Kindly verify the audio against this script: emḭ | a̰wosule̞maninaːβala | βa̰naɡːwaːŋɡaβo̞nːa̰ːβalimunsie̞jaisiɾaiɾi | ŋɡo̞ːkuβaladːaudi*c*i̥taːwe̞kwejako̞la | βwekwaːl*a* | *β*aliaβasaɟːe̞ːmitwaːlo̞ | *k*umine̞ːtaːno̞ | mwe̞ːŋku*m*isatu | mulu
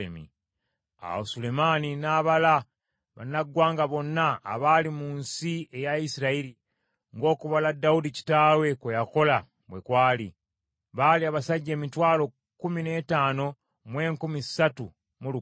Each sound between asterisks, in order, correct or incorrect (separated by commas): correct, incorrect, correct, correct, correct